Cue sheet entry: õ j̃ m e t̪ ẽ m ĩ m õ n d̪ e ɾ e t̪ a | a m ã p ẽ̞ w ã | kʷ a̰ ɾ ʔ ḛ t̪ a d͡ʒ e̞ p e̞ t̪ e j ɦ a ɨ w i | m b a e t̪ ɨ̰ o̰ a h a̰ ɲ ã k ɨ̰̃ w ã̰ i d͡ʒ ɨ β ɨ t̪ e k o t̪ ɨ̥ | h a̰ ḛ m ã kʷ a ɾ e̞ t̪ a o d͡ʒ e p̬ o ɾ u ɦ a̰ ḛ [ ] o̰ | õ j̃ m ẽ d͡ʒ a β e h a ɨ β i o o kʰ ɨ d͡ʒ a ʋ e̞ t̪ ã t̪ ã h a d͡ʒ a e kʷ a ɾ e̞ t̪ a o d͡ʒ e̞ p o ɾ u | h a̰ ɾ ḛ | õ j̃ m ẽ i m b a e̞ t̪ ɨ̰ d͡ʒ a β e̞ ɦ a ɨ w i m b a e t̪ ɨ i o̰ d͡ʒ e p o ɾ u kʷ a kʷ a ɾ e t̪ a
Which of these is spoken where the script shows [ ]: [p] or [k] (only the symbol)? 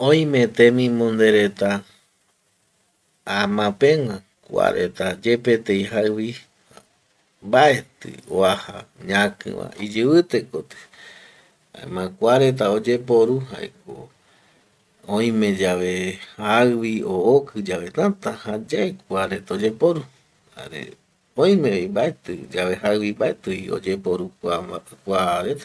k